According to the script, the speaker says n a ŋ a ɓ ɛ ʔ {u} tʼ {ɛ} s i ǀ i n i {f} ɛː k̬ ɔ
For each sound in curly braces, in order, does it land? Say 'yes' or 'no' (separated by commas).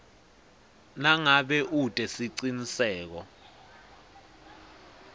yes, yes, no